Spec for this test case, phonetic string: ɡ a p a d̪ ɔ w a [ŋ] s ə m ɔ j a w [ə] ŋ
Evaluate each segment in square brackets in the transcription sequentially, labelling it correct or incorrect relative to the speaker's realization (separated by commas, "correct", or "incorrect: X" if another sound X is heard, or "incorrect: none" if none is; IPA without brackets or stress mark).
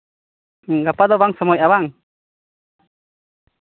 correct, incorrect: a